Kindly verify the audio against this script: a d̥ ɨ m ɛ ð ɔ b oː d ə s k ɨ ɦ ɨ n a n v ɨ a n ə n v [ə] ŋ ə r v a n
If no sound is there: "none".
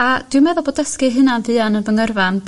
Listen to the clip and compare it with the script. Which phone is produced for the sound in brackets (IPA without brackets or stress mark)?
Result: ə